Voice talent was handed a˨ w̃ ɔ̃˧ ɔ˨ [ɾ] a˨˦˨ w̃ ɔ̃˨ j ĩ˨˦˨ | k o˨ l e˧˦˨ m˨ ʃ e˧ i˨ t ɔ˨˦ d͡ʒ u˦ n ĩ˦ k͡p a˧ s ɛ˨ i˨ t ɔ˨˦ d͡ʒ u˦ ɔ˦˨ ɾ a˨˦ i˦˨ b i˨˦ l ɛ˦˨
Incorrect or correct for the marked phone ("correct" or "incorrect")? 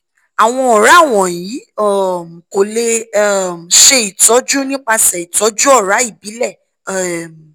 correct